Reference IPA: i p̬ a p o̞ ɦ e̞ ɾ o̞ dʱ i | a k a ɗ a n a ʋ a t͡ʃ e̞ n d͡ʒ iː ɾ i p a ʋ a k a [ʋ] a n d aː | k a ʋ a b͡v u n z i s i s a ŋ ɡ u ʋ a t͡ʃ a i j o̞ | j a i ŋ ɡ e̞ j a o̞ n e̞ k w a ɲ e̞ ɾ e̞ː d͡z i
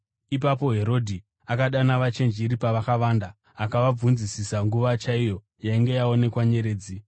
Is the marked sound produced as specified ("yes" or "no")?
yes